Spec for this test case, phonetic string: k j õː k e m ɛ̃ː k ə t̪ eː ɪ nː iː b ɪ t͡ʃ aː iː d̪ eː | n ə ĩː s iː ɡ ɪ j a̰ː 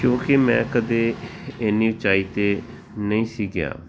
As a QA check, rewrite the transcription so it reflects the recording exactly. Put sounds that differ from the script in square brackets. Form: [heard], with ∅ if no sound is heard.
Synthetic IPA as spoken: k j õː k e m ɛ̃ː k ə [d̪] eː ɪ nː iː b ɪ t͡ʃ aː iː [t̪] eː | n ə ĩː s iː ɡ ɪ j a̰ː